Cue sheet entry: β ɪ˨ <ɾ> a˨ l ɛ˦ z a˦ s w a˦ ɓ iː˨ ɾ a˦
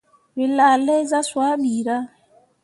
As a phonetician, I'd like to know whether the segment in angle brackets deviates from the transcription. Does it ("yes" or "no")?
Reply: yes